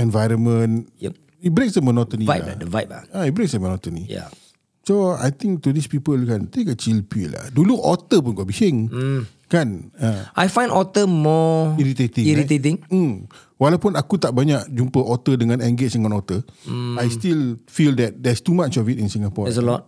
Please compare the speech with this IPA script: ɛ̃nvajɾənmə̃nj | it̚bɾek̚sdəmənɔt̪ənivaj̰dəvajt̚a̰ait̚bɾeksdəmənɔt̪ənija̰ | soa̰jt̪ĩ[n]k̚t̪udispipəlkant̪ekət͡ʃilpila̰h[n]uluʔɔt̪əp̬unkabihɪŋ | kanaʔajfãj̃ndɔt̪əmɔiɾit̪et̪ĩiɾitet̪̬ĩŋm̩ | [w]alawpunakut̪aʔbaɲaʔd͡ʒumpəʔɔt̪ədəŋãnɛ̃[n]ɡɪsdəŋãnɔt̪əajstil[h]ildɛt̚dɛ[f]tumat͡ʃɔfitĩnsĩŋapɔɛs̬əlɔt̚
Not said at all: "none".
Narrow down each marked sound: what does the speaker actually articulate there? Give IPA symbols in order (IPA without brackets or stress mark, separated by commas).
ŋ, d, w, ŋ, f, s